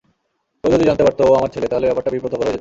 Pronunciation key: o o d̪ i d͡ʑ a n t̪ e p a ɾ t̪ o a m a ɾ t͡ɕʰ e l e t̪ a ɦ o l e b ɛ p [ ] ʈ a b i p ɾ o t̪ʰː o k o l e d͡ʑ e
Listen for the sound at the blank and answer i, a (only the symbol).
a